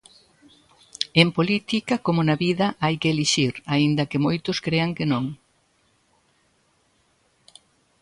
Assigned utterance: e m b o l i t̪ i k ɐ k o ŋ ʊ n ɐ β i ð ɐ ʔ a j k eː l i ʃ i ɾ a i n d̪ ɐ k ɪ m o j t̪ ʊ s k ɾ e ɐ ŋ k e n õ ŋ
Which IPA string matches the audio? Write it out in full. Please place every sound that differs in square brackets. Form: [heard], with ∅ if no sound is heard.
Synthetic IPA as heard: e m [p] o l i t̪ i k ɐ k o [m] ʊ n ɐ β i ð ɐ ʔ a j k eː l i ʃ i ɾ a i n d̪ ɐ k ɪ m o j t̪ ʊ s k ɾ e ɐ ŋ k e n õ ŋ